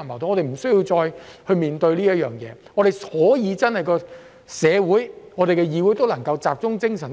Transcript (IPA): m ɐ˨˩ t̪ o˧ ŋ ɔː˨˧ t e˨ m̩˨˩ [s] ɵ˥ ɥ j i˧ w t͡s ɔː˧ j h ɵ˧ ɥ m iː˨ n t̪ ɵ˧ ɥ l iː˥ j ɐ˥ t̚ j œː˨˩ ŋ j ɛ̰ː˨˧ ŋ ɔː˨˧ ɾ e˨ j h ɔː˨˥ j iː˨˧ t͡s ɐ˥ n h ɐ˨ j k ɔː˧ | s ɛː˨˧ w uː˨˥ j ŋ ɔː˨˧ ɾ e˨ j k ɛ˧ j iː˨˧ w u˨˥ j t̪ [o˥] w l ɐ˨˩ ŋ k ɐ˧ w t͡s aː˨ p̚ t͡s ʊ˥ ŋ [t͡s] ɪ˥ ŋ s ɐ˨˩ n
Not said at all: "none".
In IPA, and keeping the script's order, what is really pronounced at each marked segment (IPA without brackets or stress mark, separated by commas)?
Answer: s, o˥, t͡s